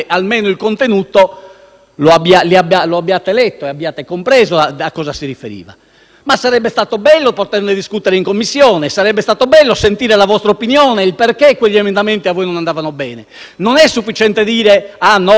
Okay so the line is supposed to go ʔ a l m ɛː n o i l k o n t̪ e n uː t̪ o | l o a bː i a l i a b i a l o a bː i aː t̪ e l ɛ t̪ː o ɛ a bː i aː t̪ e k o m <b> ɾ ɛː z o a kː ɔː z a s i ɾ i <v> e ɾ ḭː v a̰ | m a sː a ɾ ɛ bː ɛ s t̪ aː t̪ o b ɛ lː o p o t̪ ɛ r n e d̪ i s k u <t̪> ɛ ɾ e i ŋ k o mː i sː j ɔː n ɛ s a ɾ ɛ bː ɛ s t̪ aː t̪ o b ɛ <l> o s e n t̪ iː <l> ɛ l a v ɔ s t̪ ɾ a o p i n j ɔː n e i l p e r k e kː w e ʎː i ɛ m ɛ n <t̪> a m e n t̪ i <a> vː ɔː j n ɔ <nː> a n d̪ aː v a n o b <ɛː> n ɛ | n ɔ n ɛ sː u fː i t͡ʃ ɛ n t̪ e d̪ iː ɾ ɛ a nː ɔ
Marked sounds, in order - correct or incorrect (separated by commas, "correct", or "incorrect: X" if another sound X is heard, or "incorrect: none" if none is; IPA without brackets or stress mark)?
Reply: incorrect: p, incorrect: f, correct, incorrect: lː, incorrect: ɾ, incorrect: d̪, correct, incorrect: n, correct